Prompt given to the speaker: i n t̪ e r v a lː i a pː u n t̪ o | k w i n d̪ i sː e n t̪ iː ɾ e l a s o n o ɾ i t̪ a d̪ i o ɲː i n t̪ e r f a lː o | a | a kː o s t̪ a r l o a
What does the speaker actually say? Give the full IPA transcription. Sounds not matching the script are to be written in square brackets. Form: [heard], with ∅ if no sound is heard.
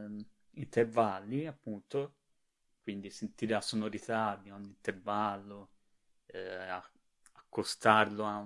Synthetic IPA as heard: i n t̪ e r v a lː i a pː u n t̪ o | k w i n d̪ i [s] e n t̪ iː ɾ e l a s o n o ɾ i t̪ a d̪ i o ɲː i n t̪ e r [v] a lː o | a | a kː o s t̪ a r l o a